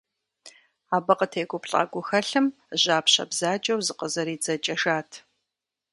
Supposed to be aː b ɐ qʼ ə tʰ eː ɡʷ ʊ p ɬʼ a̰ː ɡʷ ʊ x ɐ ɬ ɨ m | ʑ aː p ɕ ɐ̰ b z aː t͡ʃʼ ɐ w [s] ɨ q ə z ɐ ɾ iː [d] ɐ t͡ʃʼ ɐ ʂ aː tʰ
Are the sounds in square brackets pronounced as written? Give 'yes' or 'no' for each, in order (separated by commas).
no, no